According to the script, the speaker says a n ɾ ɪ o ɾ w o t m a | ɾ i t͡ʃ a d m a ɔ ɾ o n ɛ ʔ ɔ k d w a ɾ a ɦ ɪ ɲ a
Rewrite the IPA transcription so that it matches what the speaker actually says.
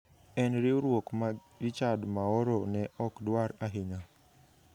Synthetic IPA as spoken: ɛ n ɾ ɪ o ɾ w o k m a | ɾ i t͡ʃ a d m a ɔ ɾ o n ɛ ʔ ɔ k d w a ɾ a ɦ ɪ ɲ a